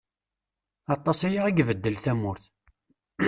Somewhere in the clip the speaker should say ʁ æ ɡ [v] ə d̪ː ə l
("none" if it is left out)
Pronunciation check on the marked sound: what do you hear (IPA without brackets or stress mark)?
v